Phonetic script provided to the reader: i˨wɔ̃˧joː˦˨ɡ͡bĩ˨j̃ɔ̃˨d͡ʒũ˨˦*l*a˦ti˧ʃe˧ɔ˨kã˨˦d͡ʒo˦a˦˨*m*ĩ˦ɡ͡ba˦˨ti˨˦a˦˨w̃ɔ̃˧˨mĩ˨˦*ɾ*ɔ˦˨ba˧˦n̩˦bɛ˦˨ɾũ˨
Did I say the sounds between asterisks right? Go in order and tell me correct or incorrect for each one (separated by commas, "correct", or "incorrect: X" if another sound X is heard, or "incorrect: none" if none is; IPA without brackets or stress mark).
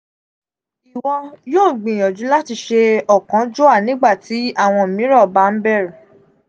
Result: correct, incorrect: n, correct